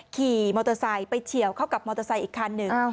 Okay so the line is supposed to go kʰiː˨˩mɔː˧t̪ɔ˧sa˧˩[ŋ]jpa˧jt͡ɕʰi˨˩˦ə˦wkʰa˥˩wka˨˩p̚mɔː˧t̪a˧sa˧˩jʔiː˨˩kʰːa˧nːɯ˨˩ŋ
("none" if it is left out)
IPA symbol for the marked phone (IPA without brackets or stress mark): none